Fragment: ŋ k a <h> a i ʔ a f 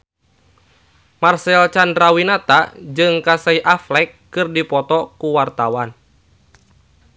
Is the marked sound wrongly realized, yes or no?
yes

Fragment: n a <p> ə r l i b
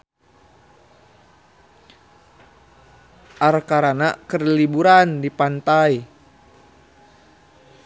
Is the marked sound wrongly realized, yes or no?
yes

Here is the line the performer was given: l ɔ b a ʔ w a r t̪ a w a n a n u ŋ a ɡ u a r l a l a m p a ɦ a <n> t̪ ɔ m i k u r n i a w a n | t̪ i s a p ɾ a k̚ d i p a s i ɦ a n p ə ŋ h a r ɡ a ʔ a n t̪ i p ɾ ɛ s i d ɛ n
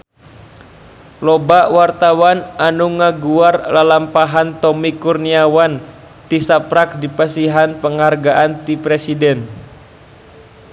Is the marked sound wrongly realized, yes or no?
no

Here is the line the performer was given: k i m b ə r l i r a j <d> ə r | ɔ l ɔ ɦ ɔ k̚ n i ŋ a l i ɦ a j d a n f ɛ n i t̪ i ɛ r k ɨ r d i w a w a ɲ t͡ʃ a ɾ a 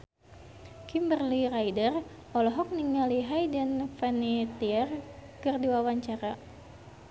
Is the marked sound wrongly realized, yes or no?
no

